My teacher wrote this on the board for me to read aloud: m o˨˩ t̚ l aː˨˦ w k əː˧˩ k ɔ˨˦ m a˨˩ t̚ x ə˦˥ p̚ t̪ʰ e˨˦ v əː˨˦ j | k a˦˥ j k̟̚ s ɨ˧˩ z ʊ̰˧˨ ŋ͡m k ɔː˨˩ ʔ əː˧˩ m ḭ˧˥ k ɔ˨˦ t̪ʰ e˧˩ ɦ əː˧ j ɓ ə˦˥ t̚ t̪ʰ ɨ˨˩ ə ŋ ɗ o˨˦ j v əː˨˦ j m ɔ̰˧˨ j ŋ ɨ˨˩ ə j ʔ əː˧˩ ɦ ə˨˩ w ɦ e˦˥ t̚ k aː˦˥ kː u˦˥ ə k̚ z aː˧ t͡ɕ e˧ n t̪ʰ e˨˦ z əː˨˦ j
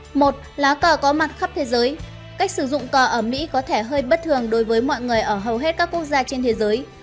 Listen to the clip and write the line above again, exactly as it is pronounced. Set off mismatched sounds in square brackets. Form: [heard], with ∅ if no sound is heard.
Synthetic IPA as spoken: m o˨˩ t̚ l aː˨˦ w k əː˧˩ k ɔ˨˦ m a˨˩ t̚ x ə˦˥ p̚ t̪ʰ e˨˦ [z] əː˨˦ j | k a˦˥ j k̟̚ s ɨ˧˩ z ʊ̰˧˨ ŋ͡m k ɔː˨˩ ʔ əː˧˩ m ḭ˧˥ k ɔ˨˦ t̪ʰ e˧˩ ɦ əː˧ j ɓ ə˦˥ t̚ t̪ʰ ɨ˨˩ ə ŋ ɗ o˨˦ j v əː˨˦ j m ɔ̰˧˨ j ŋ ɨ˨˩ ə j ʔ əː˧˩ ɦ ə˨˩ w ɦ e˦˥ t̚ k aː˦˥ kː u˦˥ ə k̚ z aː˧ t͡ɕ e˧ n t̪ʰ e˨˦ z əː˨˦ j

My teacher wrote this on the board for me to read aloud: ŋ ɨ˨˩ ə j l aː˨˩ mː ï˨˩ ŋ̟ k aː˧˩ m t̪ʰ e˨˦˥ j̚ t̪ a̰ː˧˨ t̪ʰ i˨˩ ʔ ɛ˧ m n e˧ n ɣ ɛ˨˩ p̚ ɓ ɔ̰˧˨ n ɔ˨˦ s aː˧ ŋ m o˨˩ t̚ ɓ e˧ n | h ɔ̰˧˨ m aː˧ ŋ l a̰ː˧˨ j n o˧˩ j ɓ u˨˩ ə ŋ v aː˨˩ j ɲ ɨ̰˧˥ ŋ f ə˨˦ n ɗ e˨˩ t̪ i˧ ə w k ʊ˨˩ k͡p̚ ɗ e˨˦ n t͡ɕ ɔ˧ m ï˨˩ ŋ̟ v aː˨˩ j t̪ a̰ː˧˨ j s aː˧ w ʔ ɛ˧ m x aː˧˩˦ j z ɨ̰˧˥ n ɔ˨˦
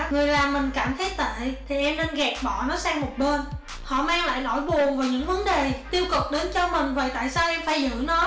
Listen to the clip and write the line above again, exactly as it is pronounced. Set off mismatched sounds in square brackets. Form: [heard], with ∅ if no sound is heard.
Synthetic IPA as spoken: ŋ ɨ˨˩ ə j l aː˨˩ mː ï˨˩ ŋ̟ k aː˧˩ m t̪ʰ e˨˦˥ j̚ t̪ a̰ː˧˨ t̪ʰ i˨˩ ʔ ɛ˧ m n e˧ n ɣ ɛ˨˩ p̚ ɓ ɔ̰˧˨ n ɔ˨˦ s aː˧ ŋ m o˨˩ t̚ ɓ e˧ n | h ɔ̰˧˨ m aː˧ ŋ l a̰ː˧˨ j n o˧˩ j ɓ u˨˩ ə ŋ v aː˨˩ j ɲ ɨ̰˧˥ ŋ [v] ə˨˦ n ɗ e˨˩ t̪ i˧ ə w k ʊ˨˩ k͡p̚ ɗ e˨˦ n t͡ɕ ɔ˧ m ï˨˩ ŋ̟ v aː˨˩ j t̪ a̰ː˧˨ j s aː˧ w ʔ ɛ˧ m [f] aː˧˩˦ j z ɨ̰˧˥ n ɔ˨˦

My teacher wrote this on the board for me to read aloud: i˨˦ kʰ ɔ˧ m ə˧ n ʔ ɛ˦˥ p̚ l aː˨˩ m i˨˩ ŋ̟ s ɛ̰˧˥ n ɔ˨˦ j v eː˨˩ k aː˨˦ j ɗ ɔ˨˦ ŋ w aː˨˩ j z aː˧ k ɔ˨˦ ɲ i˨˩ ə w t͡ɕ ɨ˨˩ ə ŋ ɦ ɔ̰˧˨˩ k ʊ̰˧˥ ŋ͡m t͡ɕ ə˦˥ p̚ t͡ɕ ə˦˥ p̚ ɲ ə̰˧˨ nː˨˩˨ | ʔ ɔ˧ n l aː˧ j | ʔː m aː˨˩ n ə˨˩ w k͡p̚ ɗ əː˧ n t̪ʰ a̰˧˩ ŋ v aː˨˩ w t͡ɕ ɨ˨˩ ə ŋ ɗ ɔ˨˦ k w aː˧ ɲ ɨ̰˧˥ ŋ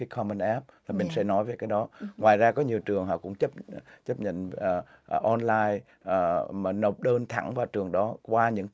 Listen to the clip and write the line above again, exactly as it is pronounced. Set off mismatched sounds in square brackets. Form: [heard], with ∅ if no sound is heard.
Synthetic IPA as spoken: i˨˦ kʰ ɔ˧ m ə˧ n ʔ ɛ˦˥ p̚ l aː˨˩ m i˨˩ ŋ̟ s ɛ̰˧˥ n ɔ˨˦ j v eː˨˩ k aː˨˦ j ɗ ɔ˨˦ ŋ w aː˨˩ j z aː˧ k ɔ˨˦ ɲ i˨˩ ə w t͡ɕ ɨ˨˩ ə ŋ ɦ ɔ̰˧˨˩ k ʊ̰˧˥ ŋ͡m t͡ɕ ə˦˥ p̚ t͡ɕ ə˦˥ p̚ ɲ ə̰˧˨ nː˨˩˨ | ʔ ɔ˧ n l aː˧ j | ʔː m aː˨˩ n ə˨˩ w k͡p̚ ɗ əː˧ n t̪ʰ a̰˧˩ ŋ v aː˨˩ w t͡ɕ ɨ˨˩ ə ŋ ɗ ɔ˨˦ k w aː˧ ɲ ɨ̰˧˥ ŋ

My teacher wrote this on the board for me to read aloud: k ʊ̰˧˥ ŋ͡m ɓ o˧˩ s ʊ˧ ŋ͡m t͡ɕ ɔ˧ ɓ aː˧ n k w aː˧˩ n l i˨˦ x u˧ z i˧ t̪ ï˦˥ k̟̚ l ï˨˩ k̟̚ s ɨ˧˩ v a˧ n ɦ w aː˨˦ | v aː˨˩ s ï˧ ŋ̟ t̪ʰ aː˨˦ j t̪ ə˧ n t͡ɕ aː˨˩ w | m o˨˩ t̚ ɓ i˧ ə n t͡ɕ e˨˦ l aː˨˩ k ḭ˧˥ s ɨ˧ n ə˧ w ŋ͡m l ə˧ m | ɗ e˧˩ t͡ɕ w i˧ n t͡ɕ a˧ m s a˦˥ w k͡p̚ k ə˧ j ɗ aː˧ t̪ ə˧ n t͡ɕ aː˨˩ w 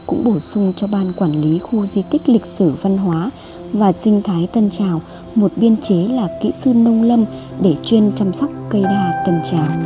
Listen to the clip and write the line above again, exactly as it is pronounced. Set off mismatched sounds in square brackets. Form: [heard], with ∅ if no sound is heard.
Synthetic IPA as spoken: k ʊ̰˧˥ ŋ͡m ɓ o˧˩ s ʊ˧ ŋ͡m t͡ɕ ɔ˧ ɓ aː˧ n k w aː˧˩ n l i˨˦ x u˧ z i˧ t̪ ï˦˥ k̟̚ l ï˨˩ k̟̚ s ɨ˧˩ v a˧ n ɦ w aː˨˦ | v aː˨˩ s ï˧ ŋ̟ t̪ʰ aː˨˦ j t̪ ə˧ n t͡ɕ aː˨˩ w | m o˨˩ t̚ ɓ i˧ ə n t͡ɕ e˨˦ l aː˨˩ k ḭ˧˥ s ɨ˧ n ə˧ w ŋ͡m l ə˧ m | ɗ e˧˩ t͡ɕ w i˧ n t͡ɕ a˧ m s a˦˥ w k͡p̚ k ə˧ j ɗ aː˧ t̪ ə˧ n t͡ɕ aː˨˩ w

